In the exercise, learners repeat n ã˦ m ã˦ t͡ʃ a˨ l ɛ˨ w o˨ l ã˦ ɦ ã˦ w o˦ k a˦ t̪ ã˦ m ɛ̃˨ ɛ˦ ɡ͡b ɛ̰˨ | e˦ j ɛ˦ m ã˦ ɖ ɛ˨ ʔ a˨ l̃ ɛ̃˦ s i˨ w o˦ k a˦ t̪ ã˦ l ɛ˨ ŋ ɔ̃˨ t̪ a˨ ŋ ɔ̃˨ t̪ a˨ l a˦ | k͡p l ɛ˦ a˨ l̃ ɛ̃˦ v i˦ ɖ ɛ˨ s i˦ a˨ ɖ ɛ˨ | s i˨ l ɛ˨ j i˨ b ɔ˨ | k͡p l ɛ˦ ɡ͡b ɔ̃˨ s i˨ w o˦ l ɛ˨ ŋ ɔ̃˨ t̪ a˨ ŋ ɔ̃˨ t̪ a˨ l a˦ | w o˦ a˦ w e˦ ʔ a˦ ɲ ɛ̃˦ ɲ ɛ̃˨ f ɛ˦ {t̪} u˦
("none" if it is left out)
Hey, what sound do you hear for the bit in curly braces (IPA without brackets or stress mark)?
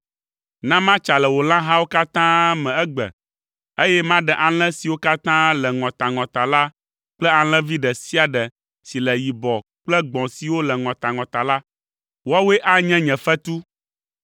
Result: t̪